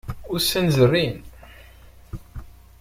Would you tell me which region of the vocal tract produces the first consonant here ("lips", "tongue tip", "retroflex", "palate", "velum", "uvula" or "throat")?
tongue tip